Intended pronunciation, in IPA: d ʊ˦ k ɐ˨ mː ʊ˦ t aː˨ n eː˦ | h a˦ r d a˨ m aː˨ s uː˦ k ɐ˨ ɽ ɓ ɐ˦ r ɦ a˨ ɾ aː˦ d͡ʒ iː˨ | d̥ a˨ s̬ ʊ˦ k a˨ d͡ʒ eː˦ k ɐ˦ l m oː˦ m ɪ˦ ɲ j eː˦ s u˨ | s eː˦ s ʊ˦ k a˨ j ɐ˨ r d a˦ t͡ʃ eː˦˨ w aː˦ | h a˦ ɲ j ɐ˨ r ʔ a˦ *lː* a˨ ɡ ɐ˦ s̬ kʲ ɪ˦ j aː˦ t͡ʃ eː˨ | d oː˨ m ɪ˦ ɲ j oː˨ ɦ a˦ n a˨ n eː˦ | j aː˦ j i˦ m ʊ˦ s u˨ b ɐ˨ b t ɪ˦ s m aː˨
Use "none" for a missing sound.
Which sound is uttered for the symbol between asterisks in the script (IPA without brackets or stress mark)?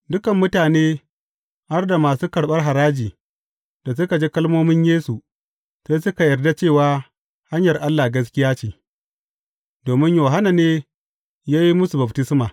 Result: lː